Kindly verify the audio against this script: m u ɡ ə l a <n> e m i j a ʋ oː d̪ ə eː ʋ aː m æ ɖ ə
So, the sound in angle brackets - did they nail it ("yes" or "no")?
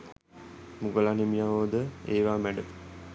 yes